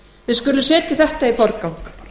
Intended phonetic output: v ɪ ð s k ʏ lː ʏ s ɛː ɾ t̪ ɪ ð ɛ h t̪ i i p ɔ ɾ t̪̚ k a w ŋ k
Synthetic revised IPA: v ɪ ð s k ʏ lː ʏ s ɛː t̪ ɪ θ ɛ h t̪ a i p ɔ ɾ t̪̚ k a w ŋ k